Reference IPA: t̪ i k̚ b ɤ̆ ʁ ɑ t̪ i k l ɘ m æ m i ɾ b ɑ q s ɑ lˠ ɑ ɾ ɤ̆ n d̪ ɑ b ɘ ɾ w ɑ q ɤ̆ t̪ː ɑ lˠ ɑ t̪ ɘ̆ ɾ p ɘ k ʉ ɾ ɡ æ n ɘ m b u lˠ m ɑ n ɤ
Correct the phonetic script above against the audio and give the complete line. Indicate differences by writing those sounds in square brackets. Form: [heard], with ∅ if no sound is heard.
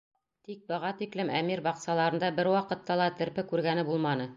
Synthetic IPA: t̪ i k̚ b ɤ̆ ʁ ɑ t̪ i k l ɘ m æ m i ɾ b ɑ q s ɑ lˠ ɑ ɾ ɤ̆ n d̪ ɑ b ɘ ɾ w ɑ q ɤ̆ t̪ː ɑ lˠ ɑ t̪ ɘ̆ ɾ p ɘ k ʉ ɾ ɡ æ n ɘ [∅] b u lˠ m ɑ n ɤ